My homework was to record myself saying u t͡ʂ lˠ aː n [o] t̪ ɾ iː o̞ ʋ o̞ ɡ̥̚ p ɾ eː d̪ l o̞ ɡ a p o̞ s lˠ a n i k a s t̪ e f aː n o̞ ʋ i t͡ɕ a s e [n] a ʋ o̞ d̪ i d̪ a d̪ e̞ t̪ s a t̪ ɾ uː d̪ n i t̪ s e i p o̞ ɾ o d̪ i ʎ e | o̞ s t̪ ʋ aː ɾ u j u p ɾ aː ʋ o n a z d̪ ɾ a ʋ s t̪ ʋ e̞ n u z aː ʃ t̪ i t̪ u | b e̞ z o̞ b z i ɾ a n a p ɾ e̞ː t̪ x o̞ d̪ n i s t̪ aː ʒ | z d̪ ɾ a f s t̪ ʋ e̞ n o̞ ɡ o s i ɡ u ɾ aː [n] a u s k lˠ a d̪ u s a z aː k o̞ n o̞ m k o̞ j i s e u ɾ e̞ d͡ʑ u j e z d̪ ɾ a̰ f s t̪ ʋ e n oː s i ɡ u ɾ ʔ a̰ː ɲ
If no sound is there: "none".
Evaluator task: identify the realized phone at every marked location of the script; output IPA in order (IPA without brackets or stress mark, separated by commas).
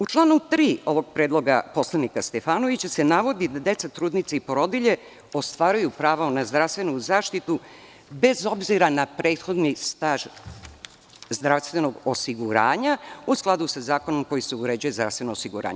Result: u, n, ɲ